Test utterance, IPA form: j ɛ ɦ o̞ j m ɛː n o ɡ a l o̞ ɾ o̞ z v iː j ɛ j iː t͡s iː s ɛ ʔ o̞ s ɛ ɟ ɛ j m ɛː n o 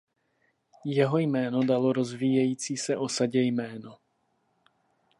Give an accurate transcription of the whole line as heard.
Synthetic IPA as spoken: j ɛ ɦ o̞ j m ɛː n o d a l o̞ ɾ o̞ z v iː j ɛ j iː t͡s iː s ɛ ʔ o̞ s a ɟ ɛ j m ɛː n o

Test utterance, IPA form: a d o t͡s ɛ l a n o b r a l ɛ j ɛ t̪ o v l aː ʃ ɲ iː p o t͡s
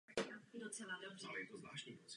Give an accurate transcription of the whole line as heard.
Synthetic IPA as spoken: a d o t͡s ɛ l a d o b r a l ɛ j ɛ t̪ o z l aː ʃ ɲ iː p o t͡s

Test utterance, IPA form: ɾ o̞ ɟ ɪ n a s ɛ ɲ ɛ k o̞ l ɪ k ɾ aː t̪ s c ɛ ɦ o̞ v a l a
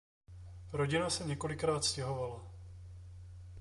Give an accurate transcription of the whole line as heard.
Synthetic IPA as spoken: ɾ o̞ ɟ ɪ n a s ɛ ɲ ɛ k o̞ l ɪ k ɾ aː t̪ s c ɛ ɦ o̞ v a l a

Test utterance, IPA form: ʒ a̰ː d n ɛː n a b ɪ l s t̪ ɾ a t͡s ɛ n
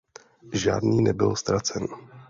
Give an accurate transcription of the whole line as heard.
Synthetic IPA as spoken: ʒ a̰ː d n iː n ɛ b ɪ l s t̪ ɾ a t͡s ɛ n

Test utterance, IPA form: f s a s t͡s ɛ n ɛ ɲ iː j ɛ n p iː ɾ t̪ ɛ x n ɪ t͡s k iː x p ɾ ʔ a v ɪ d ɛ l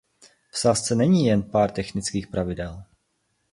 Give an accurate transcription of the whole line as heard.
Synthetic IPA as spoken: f s a s t͡s ɛ n ɛ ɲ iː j ɛ n p aː ɾ t̪ ɛ x n ɪ t͡s k iː x p ɾ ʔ a v ɪ d ɛ l

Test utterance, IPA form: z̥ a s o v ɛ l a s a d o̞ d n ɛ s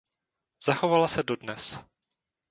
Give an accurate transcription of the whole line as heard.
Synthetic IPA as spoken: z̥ a x o v a l a s ɛ d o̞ d n ɛ s

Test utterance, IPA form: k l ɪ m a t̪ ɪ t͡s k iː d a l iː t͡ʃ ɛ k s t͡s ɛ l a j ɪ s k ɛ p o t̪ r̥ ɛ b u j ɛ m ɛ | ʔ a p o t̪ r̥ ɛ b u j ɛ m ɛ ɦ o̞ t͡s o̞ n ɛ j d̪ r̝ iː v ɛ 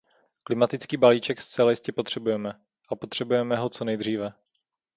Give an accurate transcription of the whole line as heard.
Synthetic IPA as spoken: k l ɪ m a t̪ ɪ t͡s k iː b a l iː t͡ʃ ɛ k s t͡s ɛ l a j ɪ s c ɛ p o t̪ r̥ ɛ b u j ɛ m ɛ | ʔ a p o t̪ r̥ ɛ b u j ɛ m ɛ ɦ o̞ t͡s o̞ n ɛ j d̪ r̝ iː v ɛ

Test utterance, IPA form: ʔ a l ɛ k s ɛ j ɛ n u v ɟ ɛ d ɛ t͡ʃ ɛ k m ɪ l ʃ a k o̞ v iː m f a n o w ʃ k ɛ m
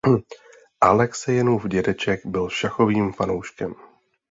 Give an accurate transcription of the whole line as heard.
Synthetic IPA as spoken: ʔ a l ɛ k s ɛ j ɛ n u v ɟ ɛ d ɛ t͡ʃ ɛ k b ɪ l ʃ a x o̞ v iː m f a n o w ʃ k ɛ m

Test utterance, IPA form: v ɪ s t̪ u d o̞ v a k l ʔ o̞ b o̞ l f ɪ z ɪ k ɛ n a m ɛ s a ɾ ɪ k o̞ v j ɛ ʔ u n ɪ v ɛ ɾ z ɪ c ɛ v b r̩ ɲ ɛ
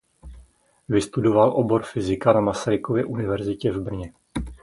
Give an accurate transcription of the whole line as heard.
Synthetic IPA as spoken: v ɪ s t̪ u d o̞ v a l ʔ o̞ b o̞ ɾ f ɪ z ɪ k a n a m a s a ɾ ɪ k o̞ v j ɛ ʔ u n ɪ v ɛ ɾ z ɪ c ɛ v b r̩ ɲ ɛ

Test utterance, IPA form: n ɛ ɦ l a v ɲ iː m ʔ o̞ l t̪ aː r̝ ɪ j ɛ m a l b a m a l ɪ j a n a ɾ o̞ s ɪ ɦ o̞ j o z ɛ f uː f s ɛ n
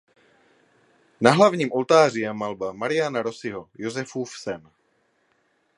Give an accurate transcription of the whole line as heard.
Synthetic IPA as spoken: n a ɦ l a v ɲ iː m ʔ o̞ l t̪ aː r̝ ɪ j ɛ m a l b a m a ɾ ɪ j a n a ɾ o̞ s ɪ ɦ o̞ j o z ɛ f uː f s ɛ n

